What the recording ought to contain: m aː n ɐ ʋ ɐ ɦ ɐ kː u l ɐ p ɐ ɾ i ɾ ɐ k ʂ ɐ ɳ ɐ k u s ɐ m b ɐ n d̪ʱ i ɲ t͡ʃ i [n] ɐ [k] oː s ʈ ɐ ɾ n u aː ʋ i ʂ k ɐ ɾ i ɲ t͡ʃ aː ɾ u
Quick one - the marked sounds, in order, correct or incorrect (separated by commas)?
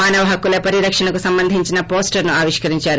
correct, incorrect